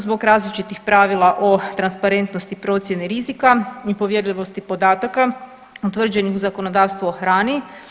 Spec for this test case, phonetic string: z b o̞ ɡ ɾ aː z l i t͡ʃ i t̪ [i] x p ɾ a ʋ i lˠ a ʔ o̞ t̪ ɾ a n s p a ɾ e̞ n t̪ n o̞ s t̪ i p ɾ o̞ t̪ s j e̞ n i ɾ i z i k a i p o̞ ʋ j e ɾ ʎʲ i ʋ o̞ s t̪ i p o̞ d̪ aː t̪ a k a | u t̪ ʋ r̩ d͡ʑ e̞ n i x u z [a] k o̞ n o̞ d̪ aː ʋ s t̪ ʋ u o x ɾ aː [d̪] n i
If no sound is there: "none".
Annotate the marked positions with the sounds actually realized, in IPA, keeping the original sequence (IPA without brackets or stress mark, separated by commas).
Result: i, a, none